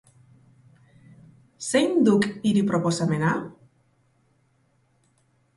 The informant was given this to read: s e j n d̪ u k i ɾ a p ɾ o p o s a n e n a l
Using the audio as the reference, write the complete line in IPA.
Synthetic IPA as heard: s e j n d̪ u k i ɾ i p ɾ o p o s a m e n a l